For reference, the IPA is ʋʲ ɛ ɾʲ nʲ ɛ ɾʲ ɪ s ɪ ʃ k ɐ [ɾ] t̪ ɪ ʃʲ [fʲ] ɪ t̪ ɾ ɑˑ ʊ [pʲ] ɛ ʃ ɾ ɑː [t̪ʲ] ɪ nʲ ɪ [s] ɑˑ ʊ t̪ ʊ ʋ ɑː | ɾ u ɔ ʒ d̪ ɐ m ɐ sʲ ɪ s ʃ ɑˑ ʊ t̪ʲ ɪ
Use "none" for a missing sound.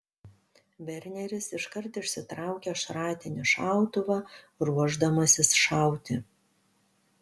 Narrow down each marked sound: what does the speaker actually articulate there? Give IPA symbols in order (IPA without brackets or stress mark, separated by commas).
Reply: ɾ, sʲ, kʲ, t̪ʲ, ʃ